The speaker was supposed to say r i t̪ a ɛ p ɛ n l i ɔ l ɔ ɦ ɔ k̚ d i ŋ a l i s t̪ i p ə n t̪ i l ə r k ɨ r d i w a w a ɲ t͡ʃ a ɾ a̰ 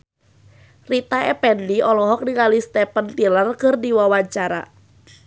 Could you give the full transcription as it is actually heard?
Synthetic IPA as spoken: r i t̪ a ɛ p ɛ n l i ɔ l ɔ ɦ ɔ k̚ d i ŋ a l i s t̪ ɛ p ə n t̪ i l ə r k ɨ r d i w a w a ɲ t͡ʃ a ɾ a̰